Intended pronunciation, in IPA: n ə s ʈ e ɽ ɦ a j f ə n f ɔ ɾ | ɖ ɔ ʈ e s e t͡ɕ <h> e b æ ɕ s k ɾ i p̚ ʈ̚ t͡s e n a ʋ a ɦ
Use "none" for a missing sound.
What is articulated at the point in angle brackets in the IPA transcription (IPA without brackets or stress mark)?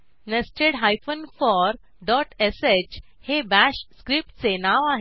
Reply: h